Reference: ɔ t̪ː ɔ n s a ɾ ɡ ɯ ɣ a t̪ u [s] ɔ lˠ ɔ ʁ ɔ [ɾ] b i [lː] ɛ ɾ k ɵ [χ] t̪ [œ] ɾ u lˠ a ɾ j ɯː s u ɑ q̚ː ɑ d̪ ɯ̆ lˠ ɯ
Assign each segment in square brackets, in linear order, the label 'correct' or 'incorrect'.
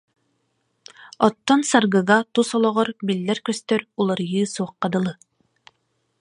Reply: correct, correct, correct, incorrect: s, correct

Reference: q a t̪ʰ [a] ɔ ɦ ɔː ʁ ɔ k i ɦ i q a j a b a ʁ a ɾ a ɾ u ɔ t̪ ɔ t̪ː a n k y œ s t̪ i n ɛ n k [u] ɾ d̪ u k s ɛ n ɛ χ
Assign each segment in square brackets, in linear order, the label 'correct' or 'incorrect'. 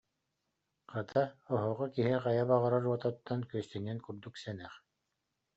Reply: correct, correct

